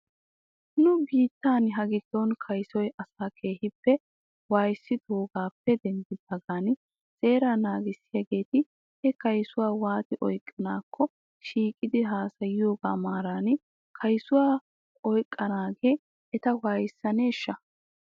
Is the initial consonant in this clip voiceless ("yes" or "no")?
no